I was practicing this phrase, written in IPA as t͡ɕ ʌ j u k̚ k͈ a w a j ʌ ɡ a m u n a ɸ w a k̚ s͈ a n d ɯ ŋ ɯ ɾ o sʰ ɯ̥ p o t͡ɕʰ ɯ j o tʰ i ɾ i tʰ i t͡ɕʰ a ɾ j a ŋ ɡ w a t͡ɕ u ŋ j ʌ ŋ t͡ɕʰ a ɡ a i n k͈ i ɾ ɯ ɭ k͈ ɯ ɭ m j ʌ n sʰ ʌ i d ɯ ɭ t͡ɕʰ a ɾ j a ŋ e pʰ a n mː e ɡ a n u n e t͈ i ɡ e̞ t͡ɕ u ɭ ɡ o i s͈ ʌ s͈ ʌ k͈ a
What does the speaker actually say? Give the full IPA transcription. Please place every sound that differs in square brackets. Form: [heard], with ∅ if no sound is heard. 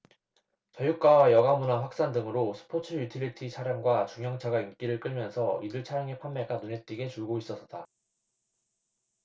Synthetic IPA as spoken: t͡ɕ ʌ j u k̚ k͈ a w a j ʌ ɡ a m u n a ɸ w a k̚ s͈ a n d ɯ ŋ ɯ ɾ o sʰ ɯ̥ [pʰ] o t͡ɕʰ ɯ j [u] tʰ i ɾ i tʰ i t͡ɕʰ a ɾ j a ŋ ɡ w a t͡ɕ u ŋ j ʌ ŋ t͡ɕʰ a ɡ a i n k͈ i ɾ ɯ ɭ k͈ ɯ ɭ m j ʌ n sʰ ʌ i d ɯ ɭ t͡ɕʰ a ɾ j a ŋ e pʰ a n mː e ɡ a n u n e t͈ i ɡ e̞ t͡ɕ u ɭ ɡ o i s͈ ʌ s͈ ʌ [t͈] a